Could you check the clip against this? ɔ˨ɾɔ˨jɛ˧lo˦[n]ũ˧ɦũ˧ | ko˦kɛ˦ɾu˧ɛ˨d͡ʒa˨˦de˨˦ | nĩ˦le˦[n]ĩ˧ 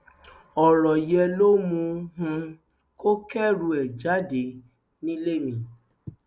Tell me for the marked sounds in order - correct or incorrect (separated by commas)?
incorrect, incorrect